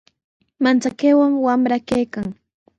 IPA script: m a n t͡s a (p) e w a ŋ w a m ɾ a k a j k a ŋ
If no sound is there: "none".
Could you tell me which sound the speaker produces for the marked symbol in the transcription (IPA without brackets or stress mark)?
k